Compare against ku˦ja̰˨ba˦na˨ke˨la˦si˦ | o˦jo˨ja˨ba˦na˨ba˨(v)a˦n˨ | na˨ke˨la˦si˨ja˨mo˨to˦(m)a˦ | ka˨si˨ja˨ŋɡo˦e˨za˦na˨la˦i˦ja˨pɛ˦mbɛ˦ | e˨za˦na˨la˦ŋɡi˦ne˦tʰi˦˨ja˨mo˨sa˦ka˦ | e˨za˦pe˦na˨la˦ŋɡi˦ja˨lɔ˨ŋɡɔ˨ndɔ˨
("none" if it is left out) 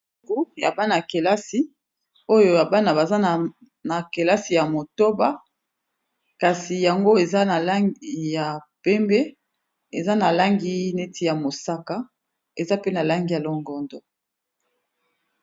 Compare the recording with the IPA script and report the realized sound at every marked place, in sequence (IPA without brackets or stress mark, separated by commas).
z, b